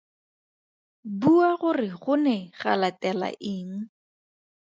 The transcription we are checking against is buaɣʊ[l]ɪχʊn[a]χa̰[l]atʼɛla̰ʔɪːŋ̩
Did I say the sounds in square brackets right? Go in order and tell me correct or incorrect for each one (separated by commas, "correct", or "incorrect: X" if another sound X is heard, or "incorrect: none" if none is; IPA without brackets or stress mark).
incorrect: r, incorrect: ɛ, correct